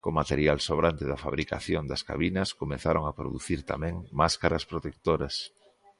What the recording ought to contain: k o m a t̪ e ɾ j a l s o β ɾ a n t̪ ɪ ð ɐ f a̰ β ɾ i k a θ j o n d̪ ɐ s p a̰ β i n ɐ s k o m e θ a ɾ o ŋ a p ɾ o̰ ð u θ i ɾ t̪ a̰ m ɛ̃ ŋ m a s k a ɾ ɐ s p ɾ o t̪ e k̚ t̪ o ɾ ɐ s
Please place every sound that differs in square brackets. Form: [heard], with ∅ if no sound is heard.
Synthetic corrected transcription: k o m a t̪ e ɾ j a l s o β ɾ a n t̪ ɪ ð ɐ f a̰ β ɾ i k a θ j o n d̪ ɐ s [k] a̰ β i n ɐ s k o m e θ a ɾ o ŋ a p ɾ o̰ ð u θ i ɾ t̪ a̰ m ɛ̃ ŋ m a s k a ɾ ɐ s p ɾ o t̪ e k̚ t̪ o ɾ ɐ s